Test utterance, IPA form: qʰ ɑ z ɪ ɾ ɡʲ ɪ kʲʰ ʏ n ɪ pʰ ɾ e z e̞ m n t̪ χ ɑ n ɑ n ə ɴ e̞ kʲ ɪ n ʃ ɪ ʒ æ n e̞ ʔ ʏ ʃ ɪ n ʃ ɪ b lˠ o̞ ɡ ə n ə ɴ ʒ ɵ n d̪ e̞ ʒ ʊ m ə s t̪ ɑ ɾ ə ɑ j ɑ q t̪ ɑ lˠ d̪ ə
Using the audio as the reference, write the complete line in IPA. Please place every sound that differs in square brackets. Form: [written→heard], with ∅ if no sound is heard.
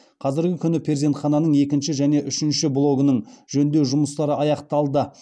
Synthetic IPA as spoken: qʰ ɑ z ɪ ɾ ɡʲ ɪ kʲʰ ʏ n ɪ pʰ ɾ e z e̞ [m→∅] n t̪ χ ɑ n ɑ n ə ɴ e̞ kʲ ɪ n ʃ ɪ ʒ æ n e̞ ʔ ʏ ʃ ɪ n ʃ ɪ b lˠ o̞ ɡ ə n ə ɴ ʒ ɵ n d̪ e̞ ʒ ʊ m ə s t̪ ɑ ɾ ə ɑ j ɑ q t̪ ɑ lˠ d̪ ə

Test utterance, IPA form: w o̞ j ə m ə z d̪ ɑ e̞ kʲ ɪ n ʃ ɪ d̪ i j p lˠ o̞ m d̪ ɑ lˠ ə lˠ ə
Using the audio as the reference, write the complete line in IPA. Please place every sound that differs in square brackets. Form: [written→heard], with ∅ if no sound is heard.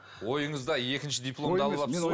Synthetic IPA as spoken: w o̞ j ə [m→ɴ] ə z d̪ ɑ e̞ kʲ ɪ n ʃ ɪ d̪ i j p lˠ o̞ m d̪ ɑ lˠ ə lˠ [ə→ɑ]

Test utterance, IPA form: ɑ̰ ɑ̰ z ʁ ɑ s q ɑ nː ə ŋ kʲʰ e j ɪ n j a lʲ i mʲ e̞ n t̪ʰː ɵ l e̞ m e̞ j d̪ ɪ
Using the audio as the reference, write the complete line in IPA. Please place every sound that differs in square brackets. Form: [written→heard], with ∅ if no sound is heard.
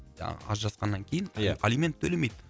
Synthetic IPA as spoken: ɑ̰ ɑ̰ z [ʁ→ʒ] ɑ s q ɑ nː [ə→ɑ] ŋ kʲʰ e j ɪ n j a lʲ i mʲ e̞ n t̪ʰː ɵ l e̞ m e̞ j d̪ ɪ

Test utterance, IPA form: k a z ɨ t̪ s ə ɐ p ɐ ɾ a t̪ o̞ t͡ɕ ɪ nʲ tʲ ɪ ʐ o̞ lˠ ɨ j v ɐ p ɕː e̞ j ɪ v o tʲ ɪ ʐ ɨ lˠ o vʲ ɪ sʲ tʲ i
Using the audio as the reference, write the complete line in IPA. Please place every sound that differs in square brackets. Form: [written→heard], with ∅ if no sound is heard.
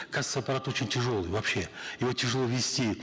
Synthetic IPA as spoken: k a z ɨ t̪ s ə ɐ p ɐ ɾ a t̪ o̞ t͡ɕ ɪ nʲ tʲ ɪ ʐ o̞ lˠ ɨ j v ɐ p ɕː e̞ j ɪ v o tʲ ɪ ʐ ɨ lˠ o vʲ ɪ sʲ tʲ i

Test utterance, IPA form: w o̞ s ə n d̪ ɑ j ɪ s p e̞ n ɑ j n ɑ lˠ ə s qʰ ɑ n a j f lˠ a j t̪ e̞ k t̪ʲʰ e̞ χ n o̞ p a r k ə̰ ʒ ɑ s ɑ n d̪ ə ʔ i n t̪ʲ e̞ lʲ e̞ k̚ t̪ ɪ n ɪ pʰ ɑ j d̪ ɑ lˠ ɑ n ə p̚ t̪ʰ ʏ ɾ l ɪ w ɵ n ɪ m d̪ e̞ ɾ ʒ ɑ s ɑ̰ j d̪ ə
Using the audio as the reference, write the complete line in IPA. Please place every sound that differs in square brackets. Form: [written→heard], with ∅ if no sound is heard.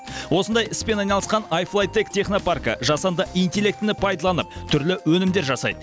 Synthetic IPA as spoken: w o̞ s ə n d̪ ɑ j ɪ s p e̞ n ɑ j n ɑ lˠ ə s [qʰ→q] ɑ n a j f lˠ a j t̪ e̞ k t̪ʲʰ e̞ χ n o̞ p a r k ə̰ ʒ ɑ s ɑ n d̪ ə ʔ i n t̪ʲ e̞ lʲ e̞ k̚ t̪ ɪ n ɪ pʰ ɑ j d̪ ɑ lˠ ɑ n ə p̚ t̪ʰ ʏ ɾ l ɪ w ɵ n ɪ m d̪ e̞ ɾ ʒ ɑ s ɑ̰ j d̪ ə

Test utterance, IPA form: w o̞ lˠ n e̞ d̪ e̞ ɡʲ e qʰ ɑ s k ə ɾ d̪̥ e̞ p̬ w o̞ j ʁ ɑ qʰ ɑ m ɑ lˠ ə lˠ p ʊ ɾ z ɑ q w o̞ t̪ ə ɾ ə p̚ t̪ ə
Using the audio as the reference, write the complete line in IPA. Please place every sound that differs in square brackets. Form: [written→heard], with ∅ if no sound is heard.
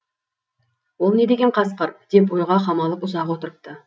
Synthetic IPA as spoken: w o̞ lˠ n e̞ d̪ e̞ ɡʲ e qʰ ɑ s [k→q] ə ɾ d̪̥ e̞ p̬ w o̞ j ʁ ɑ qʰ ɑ m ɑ lˠ ə [lˠ→∅] p ʊ [ɾ→∅] z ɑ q w o̞ t̪ ə ɾ ə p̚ t̪ ə

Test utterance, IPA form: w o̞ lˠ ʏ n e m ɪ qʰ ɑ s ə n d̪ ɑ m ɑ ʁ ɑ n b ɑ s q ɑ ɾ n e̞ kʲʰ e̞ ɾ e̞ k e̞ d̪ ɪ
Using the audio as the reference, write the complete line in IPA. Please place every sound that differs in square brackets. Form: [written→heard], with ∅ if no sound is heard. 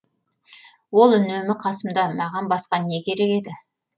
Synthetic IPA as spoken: w o̞ lˠ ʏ n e m ɪ qʰ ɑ s ə [n→m] d̪ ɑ m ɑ ʁ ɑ n b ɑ s q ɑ [ɾ→∅] n e̞ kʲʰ e̞ ɾ e̞ k e̞ d̪ ɪ

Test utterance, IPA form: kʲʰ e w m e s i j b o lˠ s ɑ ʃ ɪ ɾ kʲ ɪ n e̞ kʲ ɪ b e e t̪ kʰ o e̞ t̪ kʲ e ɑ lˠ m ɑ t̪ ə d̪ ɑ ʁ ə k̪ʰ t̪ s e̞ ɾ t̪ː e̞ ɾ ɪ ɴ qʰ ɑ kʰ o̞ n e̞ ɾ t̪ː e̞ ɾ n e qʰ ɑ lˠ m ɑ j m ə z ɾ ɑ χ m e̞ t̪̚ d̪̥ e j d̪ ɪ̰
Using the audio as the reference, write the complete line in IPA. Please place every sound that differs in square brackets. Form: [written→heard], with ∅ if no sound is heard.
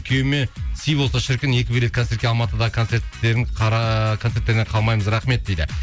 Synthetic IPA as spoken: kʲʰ e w m e s i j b o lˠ s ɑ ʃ ɪ ɾ kʲ ɪ n e̞ kʲ ɪ b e e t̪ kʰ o e̞ t̪ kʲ e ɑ lˠ m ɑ t̪ ə d̪ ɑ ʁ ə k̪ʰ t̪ s e̞ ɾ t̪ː e̞ ɾ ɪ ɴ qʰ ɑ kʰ o̞ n e̞ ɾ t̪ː e̞ ɾ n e qʰ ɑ lˠ m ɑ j m ə z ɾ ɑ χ m e̞ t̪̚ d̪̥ e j d̪ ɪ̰

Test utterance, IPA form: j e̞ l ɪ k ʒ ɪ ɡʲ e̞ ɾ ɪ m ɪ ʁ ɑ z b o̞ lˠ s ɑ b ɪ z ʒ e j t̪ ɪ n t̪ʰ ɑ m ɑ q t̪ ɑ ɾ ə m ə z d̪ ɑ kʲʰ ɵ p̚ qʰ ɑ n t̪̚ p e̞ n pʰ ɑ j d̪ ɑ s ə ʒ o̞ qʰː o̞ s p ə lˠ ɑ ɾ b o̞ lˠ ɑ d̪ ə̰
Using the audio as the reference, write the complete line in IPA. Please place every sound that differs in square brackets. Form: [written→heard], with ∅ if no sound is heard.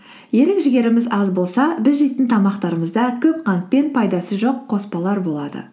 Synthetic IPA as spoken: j e̞ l ɪ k ʒ ɪ ɡʲ e̞ ɾ ɪ m ɪ [ʁ→z] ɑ z b o̞ lˠ s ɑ b ɪ z ʒ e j t̪ ɪ n t̪ʰ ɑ m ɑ q t̪ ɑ ɾ ə m ə z d̪ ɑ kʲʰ ɵ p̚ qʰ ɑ n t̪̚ p e̞ n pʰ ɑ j d̪ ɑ s ə ʒ o̞ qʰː o̞ s p [ə→ɑ] lˠ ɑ ɾ b o̞ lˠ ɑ d̪ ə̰

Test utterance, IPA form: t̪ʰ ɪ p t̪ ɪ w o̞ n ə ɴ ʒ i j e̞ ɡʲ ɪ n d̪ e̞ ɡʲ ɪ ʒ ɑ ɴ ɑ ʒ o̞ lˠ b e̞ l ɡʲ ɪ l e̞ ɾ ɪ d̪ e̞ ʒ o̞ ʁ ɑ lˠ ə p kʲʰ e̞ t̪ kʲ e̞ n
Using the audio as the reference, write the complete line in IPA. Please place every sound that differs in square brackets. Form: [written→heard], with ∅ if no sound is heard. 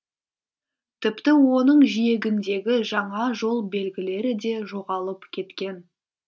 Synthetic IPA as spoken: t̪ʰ ɪ p t̪ ɪ w o̞ n ə ɴ ʒ i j e̞ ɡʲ ɪ n d̪ e̞ ɡʲ ɪ ʒ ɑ ɴ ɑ ʒ o̞ lˠ b e̞ l ɡʲ ɪ l e̞ ɾ ɪ d̪ e̞ ʒ o̞ ʁ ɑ lˠ ə p kʲʰ e̞ t̪ kʲ e̞ n

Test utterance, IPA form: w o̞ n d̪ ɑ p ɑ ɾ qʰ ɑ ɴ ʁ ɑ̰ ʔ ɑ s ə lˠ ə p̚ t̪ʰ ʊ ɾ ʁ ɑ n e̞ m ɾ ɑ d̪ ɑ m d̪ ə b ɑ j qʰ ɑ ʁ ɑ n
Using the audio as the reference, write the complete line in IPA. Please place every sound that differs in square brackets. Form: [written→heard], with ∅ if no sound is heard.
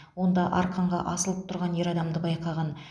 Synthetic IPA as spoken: w o̞ n d̪ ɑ [p→ʔ] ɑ ɾ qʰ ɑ ɴ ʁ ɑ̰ ʔ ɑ s ə lˠ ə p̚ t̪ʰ ʊ ɾ ʁ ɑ n e̞ [m→∅] ɾ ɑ d̪ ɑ m d̪ ə b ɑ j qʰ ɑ ʁ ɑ n

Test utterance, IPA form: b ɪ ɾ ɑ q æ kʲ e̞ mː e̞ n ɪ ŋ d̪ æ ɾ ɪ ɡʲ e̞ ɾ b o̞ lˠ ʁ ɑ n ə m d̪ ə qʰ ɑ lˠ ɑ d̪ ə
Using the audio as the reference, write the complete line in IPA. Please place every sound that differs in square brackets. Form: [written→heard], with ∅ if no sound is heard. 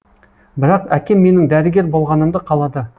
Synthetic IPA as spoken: b ɪ ɾ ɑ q æ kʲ e̞ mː e̞ n ɪ ŋ d̪ æ ɾ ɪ ɡʲ e̞ ɾ b o̞ lˠ ʁ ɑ n ə m d̪ ə qʰ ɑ lˠ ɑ d̪ ə

